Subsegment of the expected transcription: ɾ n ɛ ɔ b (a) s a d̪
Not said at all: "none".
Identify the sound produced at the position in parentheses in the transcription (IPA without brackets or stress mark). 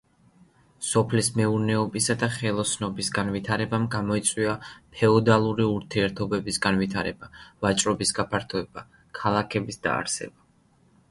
i